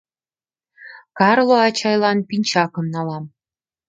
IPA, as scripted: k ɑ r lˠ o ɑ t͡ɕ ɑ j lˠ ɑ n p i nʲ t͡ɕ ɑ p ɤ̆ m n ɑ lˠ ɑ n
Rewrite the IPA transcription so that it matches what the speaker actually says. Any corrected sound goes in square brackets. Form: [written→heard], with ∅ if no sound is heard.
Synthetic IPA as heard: k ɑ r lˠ o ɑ t͡ɕ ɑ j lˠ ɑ n p i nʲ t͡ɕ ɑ [p→k] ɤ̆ m n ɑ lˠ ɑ [n→m]